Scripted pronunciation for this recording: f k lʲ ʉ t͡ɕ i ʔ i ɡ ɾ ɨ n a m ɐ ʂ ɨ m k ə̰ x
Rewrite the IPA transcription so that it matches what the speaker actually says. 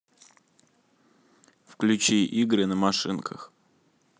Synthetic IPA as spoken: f k lʲ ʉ t͡ɕ i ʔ i ɡ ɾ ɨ n ə m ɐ ʂ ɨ n k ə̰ x